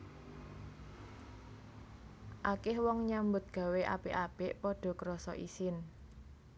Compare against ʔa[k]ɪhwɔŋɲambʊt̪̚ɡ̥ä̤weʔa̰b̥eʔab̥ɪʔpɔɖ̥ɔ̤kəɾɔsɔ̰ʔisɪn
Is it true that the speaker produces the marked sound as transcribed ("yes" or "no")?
yes